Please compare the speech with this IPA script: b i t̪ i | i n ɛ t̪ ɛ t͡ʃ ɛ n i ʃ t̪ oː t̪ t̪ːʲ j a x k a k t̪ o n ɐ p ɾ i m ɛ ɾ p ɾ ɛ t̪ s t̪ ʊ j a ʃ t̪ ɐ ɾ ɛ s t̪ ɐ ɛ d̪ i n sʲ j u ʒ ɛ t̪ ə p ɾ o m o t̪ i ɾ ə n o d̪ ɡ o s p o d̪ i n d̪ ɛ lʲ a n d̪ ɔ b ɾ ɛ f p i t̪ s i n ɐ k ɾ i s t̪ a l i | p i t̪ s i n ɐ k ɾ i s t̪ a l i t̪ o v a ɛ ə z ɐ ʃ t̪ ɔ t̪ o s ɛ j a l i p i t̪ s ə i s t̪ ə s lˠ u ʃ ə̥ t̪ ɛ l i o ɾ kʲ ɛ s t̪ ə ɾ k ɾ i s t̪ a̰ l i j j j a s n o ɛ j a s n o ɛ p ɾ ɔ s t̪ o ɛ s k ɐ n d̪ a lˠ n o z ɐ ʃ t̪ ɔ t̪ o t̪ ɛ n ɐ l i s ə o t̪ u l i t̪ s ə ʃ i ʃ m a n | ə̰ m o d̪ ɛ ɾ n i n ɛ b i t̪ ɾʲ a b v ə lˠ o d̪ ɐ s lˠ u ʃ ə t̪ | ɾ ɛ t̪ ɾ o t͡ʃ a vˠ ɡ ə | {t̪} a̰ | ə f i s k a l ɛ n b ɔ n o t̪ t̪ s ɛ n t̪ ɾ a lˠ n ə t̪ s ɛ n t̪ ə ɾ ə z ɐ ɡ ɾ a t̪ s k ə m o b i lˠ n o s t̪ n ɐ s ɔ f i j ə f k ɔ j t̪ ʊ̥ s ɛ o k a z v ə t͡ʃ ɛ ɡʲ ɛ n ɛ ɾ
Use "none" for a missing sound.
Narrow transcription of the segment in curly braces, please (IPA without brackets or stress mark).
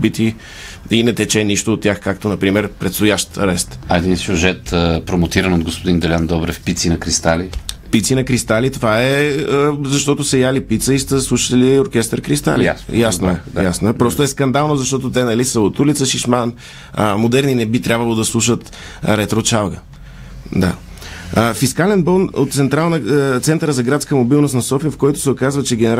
d̪